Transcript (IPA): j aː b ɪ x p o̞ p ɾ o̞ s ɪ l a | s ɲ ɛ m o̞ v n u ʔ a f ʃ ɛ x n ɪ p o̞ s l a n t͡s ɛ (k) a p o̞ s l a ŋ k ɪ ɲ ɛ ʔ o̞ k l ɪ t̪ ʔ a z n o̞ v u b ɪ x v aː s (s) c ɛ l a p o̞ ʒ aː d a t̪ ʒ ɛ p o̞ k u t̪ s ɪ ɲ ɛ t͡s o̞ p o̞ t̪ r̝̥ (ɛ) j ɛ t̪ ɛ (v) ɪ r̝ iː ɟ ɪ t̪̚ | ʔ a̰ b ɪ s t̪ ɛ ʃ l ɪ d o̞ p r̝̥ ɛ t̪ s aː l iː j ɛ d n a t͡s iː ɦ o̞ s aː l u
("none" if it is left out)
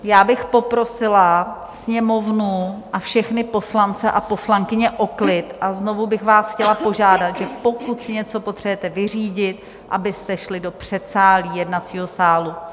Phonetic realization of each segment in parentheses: ʔ, x, ɛ, v

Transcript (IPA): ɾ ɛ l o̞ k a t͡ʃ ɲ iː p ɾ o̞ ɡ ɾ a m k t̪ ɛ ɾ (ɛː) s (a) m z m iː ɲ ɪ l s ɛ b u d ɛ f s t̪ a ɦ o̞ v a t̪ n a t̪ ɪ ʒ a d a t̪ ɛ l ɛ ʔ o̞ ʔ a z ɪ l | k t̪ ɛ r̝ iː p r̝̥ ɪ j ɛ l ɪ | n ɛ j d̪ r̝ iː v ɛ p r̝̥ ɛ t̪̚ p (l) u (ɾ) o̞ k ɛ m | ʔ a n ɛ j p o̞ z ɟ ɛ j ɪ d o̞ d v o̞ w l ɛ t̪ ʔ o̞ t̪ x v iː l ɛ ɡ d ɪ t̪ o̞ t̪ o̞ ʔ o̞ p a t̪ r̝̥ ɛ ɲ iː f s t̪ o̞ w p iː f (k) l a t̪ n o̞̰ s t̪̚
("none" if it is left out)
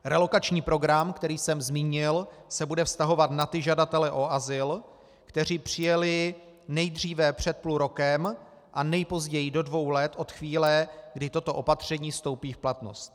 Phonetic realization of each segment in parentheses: iː, ɛ, l, ɾ, p

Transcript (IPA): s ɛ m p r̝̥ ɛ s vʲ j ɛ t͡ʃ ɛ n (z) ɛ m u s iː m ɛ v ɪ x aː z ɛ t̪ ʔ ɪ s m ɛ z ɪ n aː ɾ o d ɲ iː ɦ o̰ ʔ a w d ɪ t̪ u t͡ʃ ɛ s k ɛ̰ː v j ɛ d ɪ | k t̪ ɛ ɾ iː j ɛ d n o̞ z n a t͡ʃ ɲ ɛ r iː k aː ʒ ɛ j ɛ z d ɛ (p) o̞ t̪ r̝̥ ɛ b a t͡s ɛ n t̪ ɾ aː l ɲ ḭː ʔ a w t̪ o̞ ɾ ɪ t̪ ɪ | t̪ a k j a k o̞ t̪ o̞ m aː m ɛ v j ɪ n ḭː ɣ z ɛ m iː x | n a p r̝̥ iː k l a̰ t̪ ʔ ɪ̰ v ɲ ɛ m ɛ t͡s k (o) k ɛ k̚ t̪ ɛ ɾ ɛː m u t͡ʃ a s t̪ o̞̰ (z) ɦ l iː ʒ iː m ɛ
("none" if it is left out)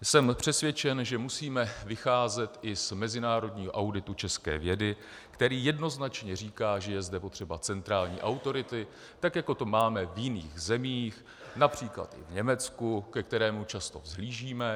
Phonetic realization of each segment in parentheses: ʒ, p, u, z

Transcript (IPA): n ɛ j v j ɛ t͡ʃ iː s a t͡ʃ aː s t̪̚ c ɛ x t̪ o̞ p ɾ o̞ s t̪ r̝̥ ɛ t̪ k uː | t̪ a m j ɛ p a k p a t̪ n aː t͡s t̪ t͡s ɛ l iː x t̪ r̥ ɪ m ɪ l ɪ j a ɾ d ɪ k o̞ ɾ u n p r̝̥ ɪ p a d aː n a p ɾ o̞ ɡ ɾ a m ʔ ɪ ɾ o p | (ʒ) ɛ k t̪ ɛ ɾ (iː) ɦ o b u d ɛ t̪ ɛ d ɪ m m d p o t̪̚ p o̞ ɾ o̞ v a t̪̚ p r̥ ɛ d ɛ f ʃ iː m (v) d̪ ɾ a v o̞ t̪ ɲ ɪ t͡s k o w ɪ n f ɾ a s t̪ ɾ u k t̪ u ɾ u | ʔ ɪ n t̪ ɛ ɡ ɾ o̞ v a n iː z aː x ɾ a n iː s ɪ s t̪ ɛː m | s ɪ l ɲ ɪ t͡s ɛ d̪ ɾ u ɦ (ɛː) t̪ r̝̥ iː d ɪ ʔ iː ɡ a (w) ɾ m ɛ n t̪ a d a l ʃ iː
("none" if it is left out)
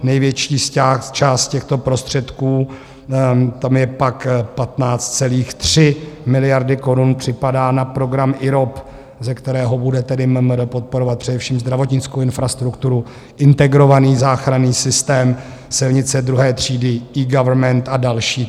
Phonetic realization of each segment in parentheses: z, ɛː, z, ɛː, v

